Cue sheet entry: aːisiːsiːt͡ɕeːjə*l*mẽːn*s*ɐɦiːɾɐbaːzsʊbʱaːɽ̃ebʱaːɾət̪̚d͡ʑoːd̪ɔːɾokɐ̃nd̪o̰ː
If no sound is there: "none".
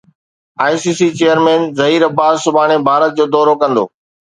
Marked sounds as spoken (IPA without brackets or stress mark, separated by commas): ɾ, z